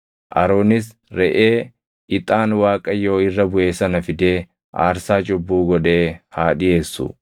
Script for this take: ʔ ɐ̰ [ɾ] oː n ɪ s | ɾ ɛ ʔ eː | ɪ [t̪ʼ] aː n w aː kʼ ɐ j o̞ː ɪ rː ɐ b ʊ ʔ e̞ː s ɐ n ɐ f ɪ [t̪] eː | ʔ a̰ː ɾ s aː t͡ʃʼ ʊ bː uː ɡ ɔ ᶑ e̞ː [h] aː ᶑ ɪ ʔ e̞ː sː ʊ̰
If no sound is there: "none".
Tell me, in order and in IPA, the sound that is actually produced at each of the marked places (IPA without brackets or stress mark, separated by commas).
ɾ, t̪ʼ, d̪, h